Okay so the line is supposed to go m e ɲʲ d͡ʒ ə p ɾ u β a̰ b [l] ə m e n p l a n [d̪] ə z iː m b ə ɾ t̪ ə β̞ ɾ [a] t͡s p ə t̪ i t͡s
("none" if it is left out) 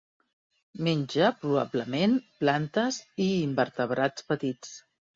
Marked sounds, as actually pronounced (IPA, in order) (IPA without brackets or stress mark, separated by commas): l, t̪, a